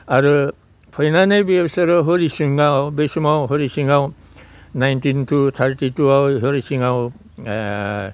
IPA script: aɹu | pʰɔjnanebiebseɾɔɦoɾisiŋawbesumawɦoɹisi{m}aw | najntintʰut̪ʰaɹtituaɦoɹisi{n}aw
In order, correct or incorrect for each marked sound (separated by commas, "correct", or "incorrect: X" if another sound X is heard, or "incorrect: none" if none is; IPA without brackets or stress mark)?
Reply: incorrect: ŋ, incorrect: ŋ